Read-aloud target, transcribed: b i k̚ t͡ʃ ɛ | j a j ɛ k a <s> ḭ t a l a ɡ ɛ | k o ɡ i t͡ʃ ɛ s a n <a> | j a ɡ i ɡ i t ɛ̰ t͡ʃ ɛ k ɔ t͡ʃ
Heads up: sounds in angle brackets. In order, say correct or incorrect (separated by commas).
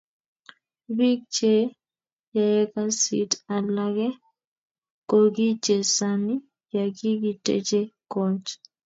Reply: correct, incorrect